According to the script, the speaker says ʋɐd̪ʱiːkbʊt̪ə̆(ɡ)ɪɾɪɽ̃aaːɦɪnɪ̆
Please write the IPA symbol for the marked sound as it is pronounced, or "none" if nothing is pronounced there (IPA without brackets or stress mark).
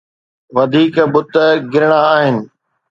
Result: ɡ